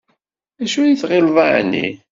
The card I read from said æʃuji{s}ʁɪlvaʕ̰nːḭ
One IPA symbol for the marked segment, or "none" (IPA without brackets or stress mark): θ